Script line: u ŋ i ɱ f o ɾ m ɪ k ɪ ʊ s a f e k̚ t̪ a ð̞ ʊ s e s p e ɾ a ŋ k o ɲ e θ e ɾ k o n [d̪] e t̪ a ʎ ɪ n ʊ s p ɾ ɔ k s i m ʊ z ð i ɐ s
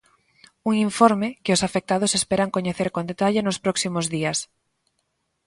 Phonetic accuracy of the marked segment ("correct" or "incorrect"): correct